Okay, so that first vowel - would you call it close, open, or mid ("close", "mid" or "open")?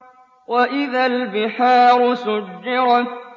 open